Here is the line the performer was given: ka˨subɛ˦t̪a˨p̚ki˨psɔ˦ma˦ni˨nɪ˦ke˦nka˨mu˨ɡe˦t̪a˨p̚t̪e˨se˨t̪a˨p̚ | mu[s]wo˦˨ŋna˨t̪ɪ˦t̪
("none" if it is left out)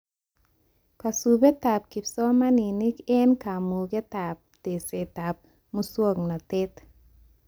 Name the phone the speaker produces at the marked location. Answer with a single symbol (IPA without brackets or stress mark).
s